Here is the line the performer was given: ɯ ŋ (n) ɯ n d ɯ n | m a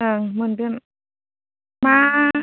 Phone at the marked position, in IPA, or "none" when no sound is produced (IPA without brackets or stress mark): m